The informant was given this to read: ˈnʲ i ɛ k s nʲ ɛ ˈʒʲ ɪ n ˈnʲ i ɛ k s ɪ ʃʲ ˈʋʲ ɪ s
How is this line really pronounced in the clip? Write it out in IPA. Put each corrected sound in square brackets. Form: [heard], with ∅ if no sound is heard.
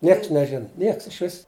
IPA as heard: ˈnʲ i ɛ k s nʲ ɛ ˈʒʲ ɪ n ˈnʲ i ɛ k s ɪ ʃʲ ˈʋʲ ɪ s